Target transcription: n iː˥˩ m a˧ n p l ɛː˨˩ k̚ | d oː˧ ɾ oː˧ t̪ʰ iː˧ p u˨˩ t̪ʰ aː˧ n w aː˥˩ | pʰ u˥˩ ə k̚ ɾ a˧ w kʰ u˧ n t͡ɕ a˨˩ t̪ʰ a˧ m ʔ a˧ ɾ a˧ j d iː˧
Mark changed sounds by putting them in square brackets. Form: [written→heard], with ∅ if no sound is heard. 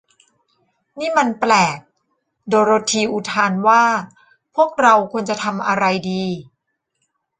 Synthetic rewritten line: n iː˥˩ m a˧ n p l ɛː˨˩ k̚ | d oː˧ ɾ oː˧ t̪ʰ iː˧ [p→ʔ] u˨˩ t̪ʰ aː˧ n w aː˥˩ | pʰ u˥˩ ə k̚ ɾ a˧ w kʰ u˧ n t͡ɕ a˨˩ t̪ʰ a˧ m ʔ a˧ ɾ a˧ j d iː˧